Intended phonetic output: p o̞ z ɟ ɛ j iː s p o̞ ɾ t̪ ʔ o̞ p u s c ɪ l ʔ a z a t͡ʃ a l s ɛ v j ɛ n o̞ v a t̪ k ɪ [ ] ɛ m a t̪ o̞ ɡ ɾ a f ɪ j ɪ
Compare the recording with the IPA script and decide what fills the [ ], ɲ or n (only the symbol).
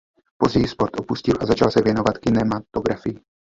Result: n